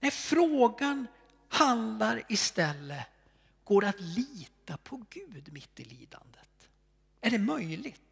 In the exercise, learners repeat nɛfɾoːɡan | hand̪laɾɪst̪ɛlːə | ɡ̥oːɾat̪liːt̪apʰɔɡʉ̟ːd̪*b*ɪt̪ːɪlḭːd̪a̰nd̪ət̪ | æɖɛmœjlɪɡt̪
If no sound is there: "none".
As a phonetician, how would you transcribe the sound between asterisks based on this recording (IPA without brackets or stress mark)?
m